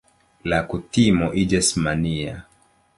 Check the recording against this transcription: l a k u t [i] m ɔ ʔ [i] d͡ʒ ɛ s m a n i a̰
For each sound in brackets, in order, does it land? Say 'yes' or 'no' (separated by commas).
yes, yes